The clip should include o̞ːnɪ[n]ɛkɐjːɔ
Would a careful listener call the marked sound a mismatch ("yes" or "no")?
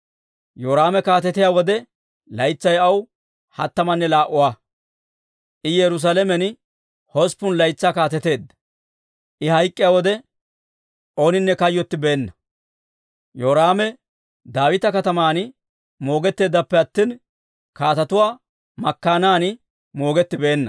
yes